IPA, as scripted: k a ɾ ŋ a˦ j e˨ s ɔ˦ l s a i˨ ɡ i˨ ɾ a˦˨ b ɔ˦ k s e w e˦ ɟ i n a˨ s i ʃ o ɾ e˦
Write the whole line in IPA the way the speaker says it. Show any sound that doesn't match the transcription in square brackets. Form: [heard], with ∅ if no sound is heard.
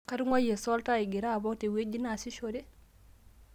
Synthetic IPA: k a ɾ ŋ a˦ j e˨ s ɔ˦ l [t] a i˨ ɡ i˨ ɾ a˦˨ b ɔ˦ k [t] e w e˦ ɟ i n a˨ s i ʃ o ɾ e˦